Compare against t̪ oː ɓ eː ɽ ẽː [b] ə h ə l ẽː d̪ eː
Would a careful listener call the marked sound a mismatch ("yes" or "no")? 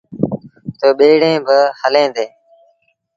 no